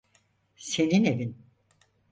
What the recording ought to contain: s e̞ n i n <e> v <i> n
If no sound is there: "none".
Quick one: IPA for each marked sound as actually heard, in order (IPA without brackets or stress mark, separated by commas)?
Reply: e, i